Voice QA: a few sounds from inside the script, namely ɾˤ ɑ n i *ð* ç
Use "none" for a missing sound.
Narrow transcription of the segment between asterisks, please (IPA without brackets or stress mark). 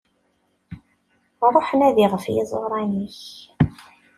none